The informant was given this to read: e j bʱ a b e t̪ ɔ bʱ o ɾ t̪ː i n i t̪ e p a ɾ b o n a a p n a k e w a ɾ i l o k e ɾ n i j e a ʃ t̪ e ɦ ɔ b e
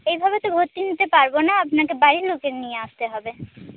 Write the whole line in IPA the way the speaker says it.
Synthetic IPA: e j bʱ a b e t̪ o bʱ o ɾ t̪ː i n i t̪ e p a ɾ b o n a a p n a k e b a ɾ i l o k e ɾ n i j e a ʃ t̪ e ɦ ɔ b e